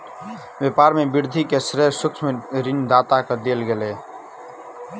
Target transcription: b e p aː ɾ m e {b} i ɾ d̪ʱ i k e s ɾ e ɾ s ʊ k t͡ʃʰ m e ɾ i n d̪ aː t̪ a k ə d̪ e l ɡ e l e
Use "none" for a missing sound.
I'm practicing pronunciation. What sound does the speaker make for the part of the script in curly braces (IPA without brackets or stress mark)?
b